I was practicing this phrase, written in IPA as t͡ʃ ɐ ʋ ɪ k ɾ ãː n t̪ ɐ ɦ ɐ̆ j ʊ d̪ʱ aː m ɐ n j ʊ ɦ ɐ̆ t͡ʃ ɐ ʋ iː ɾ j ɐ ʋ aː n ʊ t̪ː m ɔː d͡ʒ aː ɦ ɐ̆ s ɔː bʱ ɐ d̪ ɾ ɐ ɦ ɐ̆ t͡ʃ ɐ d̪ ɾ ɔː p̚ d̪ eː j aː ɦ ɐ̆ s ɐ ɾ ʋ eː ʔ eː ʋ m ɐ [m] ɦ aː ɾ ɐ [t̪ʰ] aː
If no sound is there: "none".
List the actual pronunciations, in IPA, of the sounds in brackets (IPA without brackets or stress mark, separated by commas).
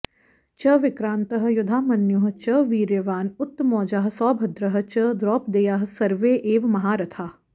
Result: none, t̪ʰ